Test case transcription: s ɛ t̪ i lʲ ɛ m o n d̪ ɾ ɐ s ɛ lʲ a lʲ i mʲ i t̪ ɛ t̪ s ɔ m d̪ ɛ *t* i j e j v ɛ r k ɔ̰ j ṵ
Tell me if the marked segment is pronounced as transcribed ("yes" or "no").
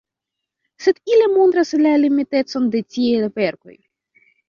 no